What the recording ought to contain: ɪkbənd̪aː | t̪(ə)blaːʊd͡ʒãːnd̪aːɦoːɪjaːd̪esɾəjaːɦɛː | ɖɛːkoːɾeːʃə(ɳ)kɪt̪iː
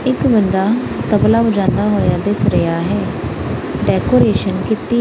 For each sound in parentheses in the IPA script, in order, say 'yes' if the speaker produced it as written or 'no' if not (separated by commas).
yes, no